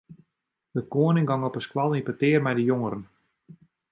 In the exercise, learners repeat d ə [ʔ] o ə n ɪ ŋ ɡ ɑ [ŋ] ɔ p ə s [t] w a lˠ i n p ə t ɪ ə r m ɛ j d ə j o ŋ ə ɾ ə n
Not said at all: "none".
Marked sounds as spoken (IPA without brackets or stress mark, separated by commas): k, ŋ, k